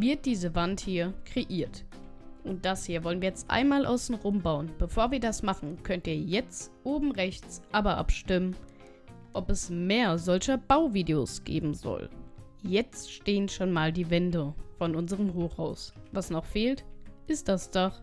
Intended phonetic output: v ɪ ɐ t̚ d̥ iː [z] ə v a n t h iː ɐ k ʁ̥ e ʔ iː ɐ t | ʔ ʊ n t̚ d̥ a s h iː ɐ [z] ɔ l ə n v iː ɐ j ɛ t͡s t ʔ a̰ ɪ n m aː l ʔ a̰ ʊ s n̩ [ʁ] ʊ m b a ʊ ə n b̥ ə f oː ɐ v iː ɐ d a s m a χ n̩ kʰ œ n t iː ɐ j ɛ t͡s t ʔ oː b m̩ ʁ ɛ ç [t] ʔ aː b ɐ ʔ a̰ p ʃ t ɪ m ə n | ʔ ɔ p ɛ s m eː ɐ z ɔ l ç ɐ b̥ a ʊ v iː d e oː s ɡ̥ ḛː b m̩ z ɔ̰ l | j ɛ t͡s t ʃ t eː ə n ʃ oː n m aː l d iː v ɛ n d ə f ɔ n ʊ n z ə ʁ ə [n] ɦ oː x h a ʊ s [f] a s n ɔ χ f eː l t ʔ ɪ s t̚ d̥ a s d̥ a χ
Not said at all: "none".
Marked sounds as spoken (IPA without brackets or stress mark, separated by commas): z, v, ʁ, t͡s, m, v